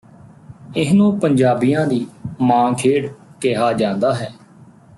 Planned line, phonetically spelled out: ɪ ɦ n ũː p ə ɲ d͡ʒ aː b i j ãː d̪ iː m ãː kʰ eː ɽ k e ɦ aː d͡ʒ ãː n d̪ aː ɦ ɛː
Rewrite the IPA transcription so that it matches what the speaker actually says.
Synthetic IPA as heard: ɪ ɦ n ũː p ə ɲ d͡ʒ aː b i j ãː d̪ iː m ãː kʰ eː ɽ k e ɦ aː d͡ʒ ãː n d̪ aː ɦ ɛː

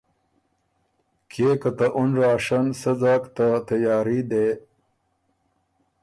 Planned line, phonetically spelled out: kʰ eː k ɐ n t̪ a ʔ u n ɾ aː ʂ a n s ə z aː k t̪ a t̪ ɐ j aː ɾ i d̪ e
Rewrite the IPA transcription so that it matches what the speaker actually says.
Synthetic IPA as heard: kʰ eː k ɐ t̪ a ʔ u n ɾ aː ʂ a n s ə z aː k t̪ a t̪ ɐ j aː ɾ i d̪ e

